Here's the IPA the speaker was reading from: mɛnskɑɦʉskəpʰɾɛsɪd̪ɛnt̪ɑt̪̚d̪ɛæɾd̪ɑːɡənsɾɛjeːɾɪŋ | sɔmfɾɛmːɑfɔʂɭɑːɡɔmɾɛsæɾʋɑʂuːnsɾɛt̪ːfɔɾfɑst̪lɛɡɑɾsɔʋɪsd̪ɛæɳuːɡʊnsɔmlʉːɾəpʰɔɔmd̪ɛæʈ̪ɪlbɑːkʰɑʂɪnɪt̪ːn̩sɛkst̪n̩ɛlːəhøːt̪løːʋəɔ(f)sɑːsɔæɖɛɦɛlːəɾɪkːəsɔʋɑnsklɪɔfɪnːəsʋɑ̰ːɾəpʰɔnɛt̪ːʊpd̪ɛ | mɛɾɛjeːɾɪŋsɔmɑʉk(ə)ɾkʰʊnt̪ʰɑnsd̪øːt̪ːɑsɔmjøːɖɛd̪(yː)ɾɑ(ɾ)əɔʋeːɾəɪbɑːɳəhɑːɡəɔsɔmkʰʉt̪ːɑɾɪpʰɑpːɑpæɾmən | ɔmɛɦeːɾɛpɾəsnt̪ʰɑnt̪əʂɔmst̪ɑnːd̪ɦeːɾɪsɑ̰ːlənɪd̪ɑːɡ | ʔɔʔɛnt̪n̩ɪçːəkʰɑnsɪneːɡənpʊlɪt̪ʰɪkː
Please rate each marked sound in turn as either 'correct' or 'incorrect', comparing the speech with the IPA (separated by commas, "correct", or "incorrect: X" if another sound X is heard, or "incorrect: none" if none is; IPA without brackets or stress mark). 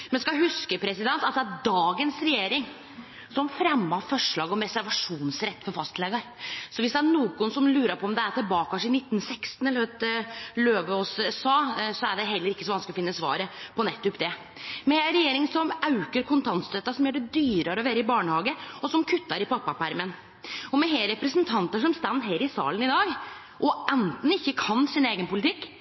incorrect: s, correct, correct, correct